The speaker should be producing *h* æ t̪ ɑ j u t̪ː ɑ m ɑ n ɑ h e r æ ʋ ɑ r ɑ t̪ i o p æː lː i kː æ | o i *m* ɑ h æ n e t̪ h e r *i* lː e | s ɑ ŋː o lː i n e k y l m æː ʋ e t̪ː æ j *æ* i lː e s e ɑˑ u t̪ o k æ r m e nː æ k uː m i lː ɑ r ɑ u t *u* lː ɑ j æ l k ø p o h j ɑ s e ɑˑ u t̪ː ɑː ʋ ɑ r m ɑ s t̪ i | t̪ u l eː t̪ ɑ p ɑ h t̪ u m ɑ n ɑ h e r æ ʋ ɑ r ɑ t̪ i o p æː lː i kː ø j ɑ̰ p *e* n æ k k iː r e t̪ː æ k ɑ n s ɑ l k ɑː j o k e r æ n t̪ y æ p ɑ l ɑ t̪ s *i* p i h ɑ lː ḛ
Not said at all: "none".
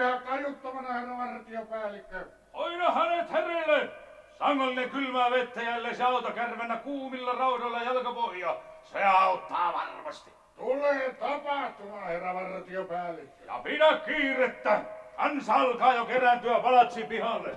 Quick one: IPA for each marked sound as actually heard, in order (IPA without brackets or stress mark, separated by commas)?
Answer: h, n, e, æ, o, i, i